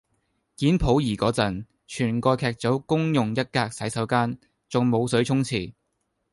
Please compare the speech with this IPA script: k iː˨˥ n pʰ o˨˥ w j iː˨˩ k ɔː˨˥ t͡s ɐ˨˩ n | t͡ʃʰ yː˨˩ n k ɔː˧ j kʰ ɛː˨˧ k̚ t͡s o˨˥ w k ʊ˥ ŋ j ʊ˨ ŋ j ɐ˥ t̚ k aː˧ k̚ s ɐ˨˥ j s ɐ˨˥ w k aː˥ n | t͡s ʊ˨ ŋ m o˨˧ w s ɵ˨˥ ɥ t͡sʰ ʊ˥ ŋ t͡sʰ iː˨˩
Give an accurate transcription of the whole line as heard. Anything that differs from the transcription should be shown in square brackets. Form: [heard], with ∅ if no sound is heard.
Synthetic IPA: k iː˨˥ n pʰ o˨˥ w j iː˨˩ k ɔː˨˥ t͡s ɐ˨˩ n | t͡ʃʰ yː˨˩ n k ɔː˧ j kʰ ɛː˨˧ k̚ t͡s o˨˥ w k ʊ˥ ŋ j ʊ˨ ŋ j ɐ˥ t̚ k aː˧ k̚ s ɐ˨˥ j s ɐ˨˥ w k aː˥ n | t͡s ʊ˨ ŋ m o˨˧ w s ɵ˨˥ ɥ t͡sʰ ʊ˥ ŋ t͡sʰ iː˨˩